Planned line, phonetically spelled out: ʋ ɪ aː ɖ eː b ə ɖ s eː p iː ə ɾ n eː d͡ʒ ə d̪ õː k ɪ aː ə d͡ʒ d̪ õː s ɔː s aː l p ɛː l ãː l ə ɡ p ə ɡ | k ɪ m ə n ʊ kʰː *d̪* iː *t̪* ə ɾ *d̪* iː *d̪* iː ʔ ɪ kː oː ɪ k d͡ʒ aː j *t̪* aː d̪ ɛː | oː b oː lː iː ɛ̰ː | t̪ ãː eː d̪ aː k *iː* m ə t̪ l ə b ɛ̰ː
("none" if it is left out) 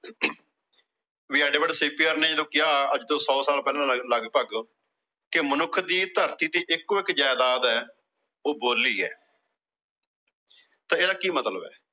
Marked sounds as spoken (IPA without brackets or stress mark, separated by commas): d̪, t̪, t̪, t̪, d̪, iː